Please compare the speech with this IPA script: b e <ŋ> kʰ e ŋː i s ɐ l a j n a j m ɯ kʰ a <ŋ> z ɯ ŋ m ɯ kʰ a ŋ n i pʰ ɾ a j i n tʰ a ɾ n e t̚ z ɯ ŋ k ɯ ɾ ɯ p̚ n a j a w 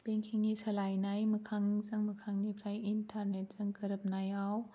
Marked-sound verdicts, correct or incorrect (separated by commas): correct, correct